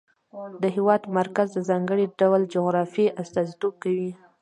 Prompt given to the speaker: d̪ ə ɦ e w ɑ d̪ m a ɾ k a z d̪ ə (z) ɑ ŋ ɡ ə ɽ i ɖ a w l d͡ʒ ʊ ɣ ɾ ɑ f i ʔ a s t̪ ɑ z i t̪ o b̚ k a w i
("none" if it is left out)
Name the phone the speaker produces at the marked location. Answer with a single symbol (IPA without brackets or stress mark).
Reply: z